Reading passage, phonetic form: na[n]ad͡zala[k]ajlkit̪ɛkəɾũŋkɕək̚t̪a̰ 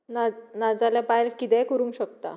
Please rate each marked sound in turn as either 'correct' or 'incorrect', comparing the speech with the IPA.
correct, incorrect: p

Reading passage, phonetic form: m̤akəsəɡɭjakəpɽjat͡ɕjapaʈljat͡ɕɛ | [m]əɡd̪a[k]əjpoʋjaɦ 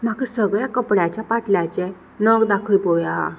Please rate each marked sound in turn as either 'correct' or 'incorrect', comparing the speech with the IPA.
incorrect: n, incorrect: kʰ

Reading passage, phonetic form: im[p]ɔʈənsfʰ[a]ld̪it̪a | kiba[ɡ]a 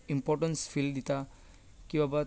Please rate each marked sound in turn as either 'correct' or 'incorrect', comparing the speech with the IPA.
correct, incorrect: i, incorrect: b

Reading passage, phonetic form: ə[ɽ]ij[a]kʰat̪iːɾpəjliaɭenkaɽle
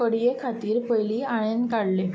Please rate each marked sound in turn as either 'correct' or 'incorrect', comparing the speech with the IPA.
correct, incorrect: e

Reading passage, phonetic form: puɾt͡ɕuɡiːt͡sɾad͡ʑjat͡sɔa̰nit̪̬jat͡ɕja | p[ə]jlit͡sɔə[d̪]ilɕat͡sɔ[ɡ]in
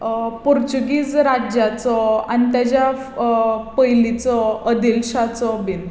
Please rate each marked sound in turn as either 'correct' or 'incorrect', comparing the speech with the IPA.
correct, correct, incorrect: b

